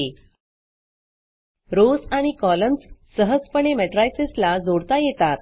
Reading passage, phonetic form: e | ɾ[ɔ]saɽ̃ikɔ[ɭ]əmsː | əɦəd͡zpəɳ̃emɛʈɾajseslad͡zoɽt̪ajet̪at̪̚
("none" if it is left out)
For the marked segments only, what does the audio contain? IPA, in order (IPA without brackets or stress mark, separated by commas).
o, l